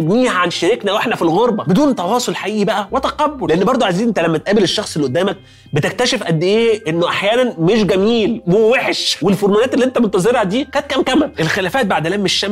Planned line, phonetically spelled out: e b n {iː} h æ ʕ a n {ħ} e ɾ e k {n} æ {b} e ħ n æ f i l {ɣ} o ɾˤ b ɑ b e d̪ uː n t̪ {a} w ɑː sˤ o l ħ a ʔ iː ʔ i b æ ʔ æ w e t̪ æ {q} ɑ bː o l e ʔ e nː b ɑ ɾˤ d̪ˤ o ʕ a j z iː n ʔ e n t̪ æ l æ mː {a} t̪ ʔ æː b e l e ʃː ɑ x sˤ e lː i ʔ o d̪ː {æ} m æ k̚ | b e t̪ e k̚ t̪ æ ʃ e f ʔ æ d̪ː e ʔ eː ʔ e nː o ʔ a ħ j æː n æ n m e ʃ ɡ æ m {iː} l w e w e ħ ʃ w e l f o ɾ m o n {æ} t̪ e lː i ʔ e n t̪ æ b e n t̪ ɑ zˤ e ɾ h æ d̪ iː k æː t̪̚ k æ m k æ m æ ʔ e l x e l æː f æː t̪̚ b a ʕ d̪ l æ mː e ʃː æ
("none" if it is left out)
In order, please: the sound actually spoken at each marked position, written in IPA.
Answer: iː, ʃ, n, w, ɣ, ɑ, q, æ, æː, iː, æː

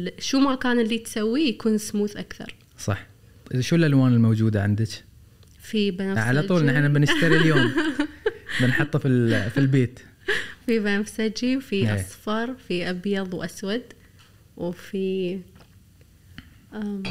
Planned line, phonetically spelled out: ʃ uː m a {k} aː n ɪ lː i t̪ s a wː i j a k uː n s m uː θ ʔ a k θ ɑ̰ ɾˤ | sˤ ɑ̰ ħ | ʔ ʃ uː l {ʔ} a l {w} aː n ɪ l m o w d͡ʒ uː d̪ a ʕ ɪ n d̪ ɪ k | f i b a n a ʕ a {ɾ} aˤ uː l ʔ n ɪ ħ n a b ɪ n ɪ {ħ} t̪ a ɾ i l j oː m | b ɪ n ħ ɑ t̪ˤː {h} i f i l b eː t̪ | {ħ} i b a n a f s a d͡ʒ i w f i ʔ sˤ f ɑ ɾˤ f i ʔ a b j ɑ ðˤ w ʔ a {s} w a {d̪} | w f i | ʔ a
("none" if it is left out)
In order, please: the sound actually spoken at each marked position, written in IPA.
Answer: k, ʔ, w, l, ʃ, f, f, s, d̪

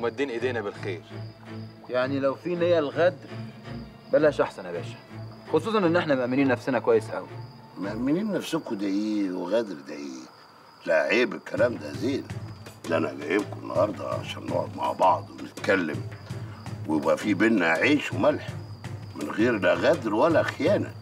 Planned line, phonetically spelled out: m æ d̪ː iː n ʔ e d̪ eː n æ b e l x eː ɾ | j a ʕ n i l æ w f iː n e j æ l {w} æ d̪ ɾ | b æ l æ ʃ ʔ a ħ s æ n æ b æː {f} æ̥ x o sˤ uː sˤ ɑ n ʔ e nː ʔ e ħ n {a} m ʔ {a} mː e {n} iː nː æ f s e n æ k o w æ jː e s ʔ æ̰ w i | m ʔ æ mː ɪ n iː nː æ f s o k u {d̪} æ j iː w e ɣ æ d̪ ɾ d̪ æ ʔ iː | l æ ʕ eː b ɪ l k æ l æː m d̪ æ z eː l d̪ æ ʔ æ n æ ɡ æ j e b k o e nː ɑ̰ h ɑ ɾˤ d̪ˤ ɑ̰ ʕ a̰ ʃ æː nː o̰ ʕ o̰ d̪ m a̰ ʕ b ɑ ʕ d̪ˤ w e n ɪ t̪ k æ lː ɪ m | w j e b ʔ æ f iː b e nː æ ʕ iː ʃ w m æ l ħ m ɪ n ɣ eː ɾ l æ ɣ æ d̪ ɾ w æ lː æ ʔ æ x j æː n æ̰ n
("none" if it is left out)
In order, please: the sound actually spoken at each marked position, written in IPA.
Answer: ɣ, ʃ, æ, æ, n, d̪

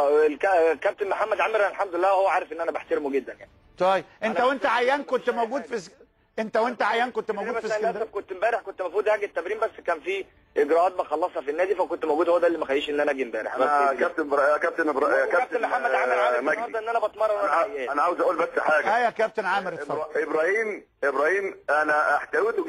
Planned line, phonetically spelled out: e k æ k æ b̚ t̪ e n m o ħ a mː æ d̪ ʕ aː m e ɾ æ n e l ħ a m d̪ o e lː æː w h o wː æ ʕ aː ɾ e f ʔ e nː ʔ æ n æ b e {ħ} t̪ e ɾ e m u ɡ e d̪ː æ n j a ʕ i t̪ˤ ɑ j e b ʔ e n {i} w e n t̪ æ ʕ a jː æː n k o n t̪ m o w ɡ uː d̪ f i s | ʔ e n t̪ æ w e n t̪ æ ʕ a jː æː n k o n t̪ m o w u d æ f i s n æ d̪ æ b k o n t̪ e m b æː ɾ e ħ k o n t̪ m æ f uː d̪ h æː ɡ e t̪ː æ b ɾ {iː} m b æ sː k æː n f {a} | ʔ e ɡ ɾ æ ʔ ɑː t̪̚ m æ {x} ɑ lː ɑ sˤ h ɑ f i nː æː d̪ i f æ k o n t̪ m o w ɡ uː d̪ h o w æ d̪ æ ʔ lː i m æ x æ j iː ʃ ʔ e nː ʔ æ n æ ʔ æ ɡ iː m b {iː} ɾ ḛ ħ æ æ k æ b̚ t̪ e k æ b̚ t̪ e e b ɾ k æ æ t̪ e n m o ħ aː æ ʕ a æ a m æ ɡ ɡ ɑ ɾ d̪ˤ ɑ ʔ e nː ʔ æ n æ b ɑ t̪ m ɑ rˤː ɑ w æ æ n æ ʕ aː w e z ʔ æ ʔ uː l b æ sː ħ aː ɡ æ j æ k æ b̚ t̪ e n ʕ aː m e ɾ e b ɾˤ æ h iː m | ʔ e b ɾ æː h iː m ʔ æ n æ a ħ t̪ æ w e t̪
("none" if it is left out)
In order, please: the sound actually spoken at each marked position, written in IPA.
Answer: ħ, æ, iː, i, x, æː

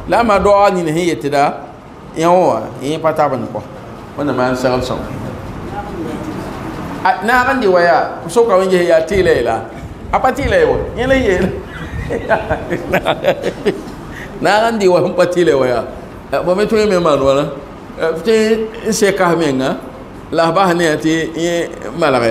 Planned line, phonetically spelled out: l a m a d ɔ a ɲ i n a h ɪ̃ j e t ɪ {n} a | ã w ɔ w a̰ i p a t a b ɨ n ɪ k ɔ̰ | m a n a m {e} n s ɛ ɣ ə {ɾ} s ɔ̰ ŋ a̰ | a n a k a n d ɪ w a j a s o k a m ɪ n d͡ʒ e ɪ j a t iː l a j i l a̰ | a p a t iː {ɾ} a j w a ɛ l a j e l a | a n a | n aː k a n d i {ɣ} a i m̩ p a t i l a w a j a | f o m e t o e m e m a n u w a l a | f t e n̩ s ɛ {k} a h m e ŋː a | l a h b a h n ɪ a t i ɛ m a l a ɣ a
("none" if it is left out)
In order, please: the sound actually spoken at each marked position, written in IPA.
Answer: d, a, l, l, w, k

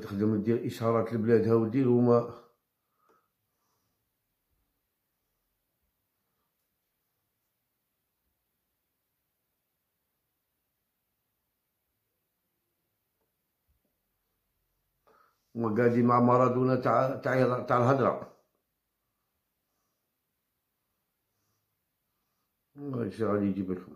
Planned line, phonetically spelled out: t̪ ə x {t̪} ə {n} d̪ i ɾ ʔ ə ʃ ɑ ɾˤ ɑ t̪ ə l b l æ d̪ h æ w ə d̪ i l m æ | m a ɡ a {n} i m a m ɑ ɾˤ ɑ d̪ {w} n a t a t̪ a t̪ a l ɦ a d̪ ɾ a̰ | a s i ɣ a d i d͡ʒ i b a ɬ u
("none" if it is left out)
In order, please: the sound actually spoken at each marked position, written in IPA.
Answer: d̪, m, d, u

